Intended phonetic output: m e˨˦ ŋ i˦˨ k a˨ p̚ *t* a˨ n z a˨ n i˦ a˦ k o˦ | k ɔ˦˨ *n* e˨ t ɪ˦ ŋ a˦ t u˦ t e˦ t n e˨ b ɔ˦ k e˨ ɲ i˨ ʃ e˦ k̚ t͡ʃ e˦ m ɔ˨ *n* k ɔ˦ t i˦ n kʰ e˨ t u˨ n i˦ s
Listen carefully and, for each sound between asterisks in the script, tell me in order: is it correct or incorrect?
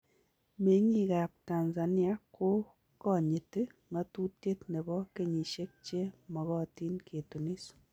correct, incorrect, incorrect

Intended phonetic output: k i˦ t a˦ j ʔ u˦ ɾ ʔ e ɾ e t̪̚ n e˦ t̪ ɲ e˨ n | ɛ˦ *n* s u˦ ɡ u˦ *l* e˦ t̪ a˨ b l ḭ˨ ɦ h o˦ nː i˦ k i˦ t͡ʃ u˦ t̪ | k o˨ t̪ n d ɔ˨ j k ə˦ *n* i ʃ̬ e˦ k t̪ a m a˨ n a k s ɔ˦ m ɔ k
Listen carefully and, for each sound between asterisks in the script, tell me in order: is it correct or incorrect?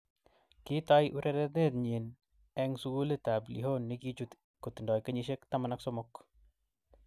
incorrect, correct, incorrect

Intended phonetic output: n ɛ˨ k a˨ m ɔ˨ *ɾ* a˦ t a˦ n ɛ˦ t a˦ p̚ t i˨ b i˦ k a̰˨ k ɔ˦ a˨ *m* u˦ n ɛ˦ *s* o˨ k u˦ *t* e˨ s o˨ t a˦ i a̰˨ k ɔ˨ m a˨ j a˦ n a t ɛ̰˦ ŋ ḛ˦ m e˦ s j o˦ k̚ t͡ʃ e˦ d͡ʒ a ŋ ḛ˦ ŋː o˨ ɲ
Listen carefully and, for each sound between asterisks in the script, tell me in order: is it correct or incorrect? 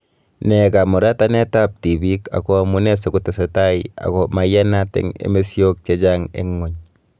correct, correct, correct, correct

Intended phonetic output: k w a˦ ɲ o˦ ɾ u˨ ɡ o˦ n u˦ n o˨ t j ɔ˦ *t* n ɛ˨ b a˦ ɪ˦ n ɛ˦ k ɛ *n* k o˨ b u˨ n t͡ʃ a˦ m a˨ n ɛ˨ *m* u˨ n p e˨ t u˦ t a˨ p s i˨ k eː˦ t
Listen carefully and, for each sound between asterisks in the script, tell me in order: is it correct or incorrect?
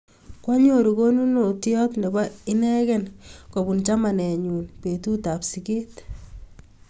correct, correct, incorrect

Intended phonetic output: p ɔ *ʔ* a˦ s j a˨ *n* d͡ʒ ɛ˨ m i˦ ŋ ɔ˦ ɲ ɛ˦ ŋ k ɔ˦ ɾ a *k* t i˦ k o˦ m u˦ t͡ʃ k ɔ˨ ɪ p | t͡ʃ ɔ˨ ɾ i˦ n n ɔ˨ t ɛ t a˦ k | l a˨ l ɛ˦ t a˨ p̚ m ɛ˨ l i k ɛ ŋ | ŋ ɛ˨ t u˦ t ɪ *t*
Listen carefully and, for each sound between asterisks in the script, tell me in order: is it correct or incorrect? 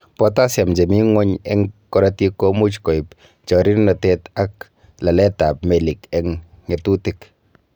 incorrect, incorrect, incorrect, incorrect

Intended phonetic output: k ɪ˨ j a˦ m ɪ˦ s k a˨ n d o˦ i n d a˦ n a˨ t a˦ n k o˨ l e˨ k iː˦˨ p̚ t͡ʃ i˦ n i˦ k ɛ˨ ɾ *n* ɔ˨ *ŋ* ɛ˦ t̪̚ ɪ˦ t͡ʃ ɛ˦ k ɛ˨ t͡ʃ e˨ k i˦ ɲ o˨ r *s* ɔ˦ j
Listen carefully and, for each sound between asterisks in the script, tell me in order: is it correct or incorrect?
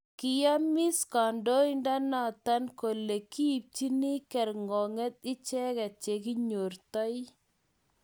incorrect, correct, incorrect

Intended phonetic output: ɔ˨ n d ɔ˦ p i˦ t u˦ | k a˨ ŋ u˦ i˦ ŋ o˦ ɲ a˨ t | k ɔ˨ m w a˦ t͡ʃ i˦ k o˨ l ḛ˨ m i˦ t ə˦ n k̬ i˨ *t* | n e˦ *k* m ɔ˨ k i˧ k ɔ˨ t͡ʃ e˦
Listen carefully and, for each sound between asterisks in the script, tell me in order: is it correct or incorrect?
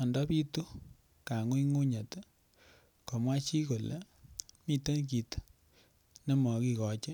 correct, incorrect

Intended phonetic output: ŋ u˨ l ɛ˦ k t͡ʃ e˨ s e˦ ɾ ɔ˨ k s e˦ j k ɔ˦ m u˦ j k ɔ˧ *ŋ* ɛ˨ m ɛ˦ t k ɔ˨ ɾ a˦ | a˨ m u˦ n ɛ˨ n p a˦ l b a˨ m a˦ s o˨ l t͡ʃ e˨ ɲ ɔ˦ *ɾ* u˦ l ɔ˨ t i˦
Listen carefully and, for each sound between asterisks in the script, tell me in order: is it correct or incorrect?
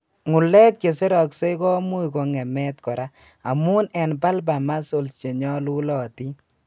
correct, incorrect

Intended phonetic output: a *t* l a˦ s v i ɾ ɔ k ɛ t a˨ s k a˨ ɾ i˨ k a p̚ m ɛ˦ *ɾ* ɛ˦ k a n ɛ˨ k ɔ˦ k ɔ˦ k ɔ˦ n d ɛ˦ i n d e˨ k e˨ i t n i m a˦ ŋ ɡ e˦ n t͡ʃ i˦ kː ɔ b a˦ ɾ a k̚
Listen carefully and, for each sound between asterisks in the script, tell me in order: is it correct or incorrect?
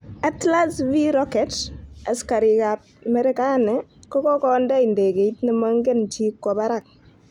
correct, correct

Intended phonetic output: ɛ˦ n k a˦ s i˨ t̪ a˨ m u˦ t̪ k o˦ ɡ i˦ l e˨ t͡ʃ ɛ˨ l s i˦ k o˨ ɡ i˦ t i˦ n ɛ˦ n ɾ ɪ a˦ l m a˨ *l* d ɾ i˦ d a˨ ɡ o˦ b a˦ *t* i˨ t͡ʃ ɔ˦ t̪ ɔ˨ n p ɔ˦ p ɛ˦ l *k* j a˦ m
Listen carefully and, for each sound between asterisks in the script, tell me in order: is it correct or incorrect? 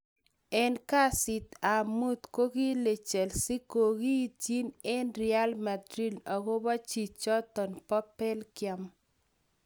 incorrect, incorrect, correct

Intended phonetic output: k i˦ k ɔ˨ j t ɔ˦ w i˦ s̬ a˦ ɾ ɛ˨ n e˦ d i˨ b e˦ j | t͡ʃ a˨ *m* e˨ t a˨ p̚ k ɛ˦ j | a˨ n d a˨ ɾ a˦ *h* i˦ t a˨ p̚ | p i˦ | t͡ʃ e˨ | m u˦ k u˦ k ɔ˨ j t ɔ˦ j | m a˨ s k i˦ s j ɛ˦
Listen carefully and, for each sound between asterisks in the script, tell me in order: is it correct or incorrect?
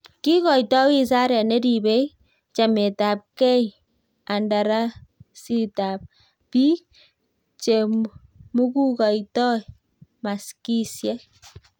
correct, incorrect

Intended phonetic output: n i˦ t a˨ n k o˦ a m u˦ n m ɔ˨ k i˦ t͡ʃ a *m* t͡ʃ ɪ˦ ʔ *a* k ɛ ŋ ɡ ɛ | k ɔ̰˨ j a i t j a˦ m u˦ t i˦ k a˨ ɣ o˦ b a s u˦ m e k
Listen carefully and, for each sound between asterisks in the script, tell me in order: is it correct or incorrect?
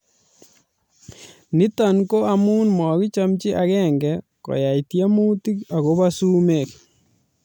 correct, correct

